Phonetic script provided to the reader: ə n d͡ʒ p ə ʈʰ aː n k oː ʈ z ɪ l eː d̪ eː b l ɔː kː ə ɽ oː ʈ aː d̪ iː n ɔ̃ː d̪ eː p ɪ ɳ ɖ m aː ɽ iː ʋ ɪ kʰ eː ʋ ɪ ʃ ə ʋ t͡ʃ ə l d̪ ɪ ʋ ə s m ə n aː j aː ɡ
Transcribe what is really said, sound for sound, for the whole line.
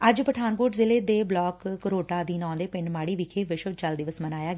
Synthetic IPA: ə d͡ʒ p ə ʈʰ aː n k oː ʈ z ɪ l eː d̪ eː b l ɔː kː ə ɾ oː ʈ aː d̪ iː n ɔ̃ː d̪ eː p ɪ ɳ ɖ m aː ɽ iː ʋ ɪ kʰ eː ʋ ɪ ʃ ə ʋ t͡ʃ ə l d̪ ɪ ʋ ə s m ə n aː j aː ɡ